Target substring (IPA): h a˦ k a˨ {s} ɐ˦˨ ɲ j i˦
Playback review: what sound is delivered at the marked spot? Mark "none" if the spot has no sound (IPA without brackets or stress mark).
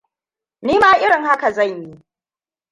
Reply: z